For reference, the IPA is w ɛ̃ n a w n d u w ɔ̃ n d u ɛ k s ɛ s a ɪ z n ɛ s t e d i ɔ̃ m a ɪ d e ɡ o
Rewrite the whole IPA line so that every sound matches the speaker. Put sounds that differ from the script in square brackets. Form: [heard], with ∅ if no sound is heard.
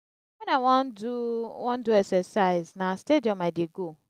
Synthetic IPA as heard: w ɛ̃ n a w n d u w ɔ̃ n d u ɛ k s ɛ s a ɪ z n [a] s t e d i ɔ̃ m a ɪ d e ɡ o